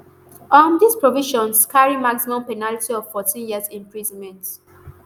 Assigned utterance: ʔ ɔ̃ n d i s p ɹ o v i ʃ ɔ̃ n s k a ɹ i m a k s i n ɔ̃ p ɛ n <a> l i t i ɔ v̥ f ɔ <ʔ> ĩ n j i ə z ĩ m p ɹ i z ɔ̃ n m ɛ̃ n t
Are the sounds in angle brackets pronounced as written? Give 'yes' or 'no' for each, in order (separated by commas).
yes, no